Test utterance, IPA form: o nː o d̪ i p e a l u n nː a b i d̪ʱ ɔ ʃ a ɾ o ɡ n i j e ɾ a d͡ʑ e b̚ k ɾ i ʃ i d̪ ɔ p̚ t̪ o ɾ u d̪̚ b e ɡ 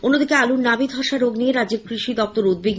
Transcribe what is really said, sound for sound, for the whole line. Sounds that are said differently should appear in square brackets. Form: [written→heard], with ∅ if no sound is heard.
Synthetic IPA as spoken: o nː o d̪ i [p→k] e a l u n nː a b i d̪ʱ ɔ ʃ a ɾ o ɡ n i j e ɾ a d͡ʑ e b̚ k ɾ i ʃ i d̪ ɔ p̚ t̪ o ɾ u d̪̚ b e ɡ